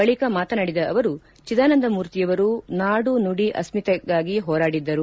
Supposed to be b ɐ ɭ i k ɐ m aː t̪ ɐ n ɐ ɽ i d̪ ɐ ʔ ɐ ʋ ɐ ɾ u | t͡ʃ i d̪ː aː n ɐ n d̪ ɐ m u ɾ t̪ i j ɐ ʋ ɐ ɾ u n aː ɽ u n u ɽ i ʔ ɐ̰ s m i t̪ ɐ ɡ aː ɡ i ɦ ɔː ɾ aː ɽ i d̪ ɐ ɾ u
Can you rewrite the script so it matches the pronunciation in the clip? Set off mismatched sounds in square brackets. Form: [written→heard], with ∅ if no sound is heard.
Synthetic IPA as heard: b ɐ ɭ i k ɐ m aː t̪ ɐ n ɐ ɽ i d̪ ɐ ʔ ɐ ʋ ɐ ɾ u | t͡ʃ i [d̪ː→d̪] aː n ɐ n d̪ ɐ m [u→uː] ɾ t̪ i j ɐ ʋ ɐ ɾ u n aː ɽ u n u ɽ i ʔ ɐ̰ s m i t̪ ɐ ɡ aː ɡ i ɦ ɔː ɾ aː ɽ i [d̪→d̪ː] ɐ ɾ u